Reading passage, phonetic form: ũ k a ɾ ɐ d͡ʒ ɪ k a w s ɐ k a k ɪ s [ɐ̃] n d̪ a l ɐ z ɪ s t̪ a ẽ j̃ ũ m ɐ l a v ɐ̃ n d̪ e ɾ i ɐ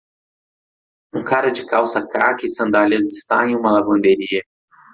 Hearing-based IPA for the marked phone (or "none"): ɐ̃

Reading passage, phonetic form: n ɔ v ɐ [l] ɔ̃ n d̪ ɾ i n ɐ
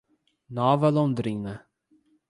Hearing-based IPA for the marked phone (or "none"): l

